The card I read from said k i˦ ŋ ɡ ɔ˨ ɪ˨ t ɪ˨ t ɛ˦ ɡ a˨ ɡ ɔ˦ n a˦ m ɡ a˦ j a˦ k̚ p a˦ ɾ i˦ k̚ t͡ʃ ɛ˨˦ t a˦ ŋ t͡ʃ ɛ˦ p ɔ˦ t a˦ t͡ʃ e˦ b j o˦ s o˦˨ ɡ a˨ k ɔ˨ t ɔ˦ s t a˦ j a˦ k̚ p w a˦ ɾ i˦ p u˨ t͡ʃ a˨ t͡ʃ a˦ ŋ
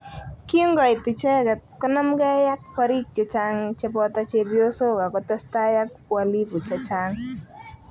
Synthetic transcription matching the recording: k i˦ ŋ ɡ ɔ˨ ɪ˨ t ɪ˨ t͡ʃ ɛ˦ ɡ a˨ k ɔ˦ n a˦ m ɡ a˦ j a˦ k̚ p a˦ ɾ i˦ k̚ t͡ʃ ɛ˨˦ t͡ʃ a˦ ŋ t͡ʃ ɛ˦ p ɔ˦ t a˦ t͡ʃ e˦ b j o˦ s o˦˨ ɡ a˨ k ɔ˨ t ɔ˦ s t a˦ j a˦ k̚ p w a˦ l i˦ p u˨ t͡ʃ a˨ t͡ʃ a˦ ŋ